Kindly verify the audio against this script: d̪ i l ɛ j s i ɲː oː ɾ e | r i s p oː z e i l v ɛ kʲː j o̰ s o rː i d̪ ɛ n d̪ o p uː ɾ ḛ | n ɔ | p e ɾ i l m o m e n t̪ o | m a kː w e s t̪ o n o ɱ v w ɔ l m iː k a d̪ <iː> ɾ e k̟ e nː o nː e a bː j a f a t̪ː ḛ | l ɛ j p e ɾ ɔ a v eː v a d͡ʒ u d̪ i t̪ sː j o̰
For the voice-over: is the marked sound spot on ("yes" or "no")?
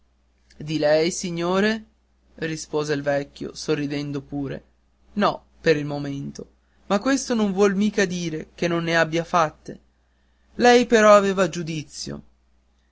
yes